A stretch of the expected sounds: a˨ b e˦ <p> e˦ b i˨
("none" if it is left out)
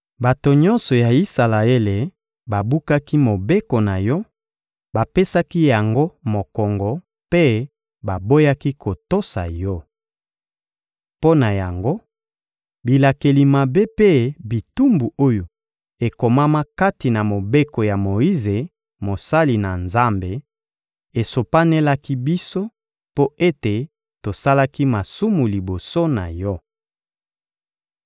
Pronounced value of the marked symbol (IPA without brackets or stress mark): p